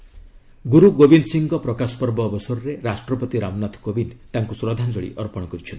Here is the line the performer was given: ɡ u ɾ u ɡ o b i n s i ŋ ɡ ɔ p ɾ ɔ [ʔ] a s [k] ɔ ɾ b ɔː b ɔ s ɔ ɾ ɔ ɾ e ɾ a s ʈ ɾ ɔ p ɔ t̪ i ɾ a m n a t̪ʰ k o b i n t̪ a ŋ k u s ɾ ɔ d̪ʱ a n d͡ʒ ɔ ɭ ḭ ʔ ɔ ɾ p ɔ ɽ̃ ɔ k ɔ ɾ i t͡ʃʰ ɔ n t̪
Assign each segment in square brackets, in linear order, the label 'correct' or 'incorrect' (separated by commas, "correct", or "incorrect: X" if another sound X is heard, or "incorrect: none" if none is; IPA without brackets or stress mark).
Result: incorrect: k, incorrect: p